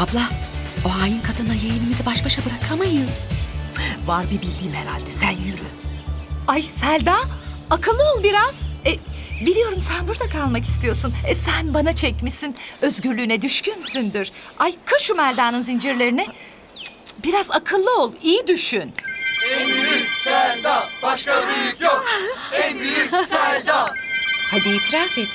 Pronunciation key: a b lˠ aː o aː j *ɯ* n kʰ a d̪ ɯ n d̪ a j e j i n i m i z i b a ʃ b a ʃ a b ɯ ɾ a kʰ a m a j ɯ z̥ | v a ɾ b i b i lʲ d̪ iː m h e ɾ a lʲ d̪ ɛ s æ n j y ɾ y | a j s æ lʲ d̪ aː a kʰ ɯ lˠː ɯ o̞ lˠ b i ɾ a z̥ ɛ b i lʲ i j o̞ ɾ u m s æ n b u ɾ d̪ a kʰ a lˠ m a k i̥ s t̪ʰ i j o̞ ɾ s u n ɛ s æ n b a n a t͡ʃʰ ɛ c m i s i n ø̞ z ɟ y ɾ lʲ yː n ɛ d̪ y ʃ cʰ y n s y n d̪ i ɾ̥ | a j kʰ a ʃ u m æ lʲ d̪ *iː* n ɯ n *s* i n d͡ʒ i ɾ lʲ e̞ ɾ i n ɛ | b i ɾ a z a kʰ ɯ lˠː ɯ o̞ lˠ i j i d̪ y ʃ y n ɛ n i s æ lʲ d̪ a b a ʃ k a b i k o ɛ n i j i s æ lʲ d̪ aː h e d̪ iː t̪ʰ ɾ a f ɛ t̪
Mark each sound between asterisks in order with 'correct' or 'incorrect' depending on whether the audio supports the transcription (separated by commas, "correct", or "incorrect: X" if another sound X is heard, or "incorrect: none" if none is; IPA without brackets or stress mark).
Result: correct, incorrect: aː, incorrect: z